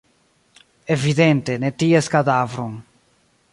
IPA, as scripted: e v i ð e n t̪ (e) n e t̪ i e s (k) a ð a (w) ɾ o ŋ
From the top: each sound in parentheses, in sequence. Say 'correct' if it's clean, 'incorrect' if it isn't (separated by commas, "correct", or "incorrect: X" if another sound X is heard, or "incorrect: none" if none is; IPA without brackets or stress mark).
correct, correct, incorrect: v